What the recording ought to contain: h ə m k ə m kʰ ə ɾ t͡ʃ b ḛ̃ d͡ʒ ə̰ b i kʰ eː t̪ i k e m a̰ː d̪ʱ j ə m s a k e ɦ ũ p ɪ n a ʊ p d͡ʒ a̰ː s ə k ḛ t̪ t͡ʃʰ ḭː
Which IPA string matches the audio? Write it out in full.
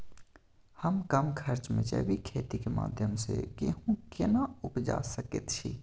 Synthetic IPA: h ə m k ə m kʰ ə ɾ t͡ʃ m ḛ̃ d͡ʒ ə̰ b i kʰ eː t̪ i k e m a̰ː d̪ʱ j ə m s e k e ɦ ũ k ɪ n a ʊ p d͡ʒ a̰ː s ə k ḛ t̪ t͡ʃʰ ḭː